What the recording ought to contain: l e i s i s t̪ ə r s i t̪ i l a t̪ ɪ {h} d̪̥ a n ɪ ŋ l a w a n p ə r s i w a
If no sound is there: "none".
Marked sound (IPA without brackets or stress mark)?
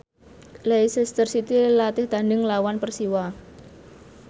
h